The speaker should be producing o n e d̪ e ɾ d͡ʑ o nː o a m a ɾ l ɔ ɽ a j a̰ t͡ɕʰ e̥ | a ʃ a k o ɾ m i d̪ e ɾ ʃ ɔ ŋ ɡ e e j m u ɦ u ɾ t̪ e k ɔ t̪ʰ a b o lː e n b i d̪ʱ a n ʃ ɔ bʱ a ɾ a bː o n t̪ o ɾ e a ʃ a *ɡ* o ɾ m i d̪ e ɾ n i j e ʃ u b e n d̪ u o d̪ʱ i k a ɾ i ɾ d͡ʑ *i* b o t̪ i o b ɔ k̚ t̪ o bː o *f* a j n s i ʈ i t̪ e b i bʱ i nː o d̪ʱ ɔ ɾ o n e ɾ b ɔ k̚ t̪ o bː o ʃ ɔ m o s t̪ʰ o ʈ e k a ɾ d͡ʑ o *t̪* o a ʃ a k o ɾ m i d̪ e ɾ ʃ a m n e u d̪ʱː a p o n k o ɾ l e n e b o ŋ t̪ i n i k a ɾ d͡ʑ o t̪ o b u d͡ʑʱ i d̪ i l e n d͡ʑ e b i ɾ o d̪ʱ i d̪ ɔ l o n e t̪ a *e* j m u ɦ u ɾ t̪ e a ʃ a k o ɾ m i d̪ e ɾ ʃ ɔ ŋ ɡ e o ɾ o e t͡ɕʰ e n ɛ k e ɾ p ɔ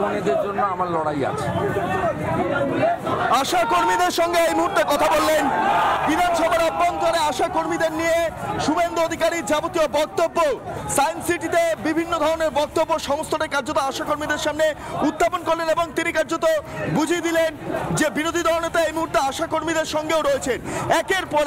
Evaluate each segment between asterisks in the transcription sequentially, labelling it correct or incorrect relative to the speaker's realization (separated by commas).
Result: incorrect, incorrect, incorrect, correct, correct